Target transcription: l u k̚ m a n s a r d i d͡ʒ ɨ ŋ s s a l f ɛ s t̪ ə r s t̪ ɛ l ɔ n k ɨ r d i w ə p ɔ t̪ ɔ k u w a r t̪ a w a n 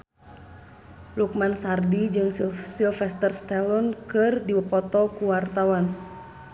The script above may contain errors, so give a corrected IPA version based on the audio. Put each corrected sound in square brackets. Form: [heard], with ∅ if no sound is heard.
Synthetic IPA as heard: l u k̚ m a n s a r d i d͡ʒ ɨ ŋ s s [i] l f ɛ s t̪ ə r s t̪ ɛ l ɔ n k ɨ r d i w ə p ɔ t̪ ɔ k u w a r t̪ a w a n